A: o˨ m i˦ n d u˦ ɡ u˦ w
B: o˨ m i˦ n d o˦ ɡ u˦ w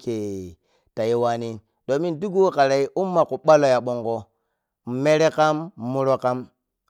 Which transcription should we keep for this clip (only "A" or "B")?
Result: A